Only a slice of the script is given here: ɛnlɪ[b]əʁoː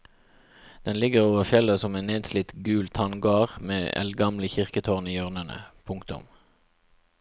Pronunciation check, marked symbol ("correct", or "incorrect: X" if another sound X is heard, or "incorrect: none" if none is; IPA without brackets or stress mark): incorrect: ɡ